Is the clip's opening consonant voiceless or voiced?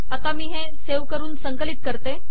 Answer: voiceless